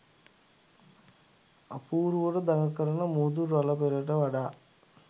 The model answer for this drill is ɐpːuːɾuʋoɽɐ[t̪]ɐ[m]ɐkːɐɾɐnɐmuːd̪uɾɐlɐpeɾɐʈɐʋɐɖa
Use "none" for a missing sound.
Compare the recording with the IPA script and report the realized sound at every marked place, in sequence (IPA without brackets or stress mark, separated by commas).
d̪, ŋ